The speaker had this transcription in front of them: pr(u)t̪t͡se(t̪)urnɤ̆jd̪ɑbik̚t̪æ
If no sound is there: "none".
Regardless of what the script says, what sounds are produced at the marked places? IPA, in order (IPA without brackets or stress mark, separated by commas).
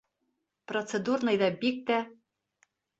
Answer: o, d̪